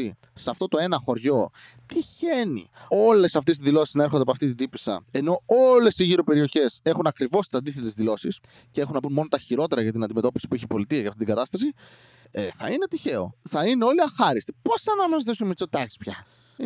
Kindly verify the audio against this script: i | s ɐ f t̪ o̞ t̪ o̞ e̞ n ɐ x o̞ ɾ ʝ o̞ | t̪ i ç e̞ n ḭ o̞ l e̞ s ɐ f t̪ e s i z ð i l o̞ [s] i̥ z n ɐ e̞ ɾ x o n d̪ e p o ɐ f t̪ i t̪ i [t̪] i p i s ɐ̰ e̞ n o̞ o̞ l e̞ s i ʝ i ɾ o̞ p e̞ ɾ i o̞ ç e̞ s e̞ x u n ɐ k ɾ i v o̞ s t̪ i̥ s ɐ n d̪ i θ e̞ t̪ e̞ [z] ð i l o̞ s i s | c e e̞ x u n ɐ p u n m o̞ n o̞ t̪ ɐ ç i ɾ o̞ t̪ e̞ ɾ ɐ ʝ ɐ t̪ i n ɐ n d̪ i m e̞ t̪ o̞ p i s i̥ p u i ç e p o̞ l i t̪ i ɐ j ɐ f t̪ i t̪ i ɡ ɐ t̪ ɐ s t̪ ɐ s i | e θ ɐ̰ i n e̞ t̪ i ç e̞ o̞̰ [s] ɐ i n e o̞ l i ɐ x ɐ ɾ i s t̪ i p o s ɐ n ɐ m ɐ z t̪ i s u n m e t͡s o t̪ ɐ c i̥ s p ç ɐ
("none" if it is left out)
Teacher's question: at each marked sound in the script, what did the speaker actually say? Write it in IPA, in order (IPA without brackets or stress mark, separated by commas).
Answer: s, d̪, z, θ